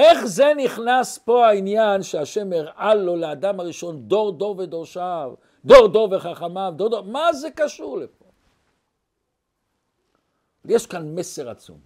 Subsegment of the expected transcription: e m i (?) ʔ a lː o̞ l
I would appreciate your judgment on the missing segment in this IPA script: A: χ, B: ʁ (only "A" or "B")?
B